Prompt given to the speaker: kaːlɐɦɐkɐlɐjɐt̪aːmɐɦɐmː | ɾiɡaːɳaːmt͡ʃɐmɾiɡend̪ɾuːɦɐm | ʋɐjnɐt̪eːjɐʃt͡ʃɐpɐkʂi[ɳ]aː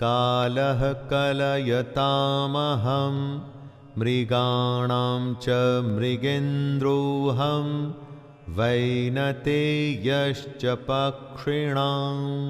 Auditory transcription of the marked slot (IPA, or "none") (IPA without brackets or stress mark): ɳ